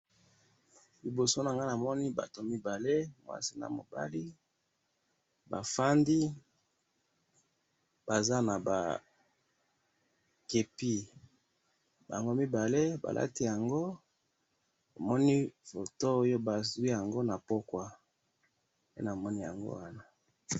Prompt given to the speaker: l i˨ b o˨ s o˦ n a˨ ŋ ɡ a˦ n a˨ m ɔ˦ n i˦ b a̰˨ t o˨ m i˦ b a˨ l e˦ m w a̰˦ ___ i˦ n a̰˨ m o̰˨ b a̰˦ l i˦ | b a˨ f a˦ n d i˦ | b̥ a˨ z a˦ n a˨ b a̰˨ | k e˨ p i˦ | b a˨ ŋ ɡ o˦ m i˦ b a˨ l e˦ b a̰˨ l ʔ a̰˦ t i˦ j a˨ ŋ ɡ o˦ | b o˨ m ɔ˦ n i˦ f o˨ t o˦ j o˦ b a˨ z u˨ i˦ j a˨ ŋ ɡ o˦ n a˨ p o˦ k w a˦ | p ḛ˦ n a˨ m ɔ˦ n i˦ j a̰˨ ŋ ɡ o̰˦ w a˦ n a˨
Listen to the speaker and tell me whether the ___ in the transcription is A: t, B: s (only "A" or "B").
B